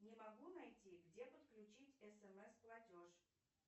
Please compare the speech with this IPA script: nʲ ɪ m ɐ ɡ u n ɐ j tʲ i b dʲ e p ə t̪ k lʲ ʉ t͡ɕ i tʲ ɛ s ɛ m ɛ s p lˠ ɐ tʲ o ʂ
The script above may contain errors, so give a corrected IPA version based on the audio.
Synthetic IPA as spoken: nʲ ɪ m ɐ ɡ u n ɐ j tʲ i ɡ dʲ e p ə t̪ k lʲ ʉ t͡ɕ i tʲ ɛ s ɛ m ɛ s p lˠ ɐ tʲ o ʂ